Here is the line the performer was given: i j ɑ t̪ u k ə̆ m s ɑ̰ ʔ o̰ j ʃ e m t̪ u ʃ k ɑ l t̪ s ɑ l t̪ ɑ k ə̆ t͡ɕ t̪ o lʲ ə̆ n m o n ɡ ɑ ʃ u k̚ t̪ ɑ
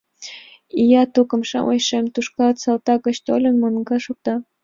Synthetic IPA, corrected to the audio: i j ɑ t̪ u k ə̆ m ʃ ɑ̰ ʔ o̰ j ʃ e m t̪ u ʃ k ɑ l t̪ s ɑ l t̪ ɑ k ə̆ t͡ɕ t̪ o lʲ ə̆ n m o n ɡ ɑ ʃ u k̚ t̪ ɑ